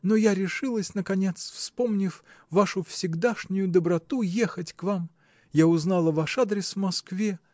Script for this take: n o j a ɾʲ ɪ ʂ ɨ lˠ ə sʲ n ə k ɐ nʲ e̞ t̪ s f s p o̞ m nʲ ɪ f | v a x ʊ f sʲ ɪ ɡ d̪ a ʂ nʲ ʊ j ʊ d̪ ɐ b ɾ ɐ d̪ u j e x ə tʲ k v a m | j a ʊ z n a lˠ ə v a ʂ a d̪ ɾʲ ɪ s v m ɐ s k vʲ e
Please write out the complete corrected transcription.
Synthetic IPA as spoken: n o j a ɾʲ ɪ ʂ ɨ lˠ ə sʲ n ə k ɐ nʲ e̞ t̪ s f s p o̞ m nʲ ɪ f | v a ʂ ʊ f sʲ ɪ ɡ d̪ a ʂ nʲ ʊ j ʊ d̪ ə b ɾ ɐ t̪ u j e x ə tʲ k v a m | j a ʊ z n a lˠ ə v a ʂ a d̪ ɾʲ ɪ s v m ɐ s k vʲ e